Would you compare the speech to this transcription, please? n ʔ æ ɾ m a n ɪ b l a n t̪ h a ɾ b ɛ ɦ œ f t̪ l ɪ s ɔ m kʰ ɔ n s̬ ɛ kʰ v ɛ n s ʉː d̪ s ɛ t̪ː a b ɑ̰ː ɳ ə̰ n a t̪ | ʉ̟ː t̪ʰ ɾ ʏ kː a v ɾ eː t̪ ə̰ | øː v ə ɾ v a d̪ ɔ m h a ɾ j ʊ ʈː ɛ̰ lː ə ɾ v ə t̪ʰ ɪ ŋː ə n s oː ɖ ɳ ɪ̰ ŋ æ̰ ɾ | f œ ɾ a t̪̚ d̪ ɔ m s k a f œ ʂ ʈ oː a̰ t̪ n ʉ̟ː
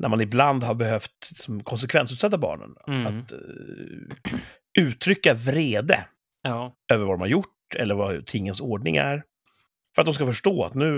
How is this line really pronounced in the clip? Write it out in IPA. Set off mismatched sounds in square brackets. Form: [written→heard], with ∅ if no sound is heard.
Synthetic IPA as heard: n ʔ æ ɾ m a n ɪ b l a n [t̪→d̪] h a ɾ b ɛ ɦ œ f t̪ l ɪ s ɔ m kʰ ɔ n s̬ ɛ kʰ v ɛ n s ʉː [d̪→t̪] s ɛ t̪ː a b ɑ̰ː ɳ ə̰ n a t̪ | ʉ̟ː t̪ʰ ɾ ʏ kː a v ɾ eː [t̪→d̪] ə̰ | øː v ə ɾ v a d̪ ɔ m h a ɾ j ʊ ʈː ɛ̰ lː ə ɾ v [ə→a] t̪ʰ ɪ ŋː ə n s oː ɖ ɳ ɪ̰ ŋ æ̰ ɾ | f œ ɾ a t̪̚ d̪ ɔ m s k a f œ ʂ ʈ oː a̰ t̪ n ʉ̟ː